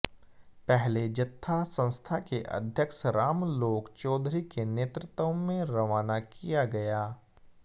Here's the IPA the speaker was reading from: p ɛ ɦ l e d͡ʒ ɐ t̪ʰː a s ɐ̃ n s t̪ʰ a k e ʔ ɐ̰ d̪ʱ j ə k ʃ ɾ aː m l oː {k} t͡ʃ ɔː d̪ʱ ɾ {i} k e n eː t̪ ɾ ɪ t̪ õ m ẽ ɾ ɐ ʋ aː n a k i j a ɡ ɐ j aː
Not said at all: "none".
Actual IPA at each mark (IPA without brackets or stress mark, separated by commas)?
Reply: k, i